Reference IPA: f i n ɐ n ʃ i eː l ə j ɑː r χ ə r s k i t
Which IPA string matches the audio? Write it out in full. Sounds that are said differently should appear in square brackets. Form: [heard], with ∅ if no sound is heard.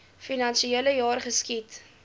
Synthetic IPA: f i n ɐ n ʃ i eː l ə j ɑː r χ ə [∅] s k i t